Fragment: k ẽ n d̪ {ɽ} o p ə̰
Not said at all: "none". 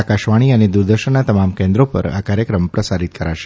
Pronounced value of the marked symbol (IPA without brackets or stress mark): ɾ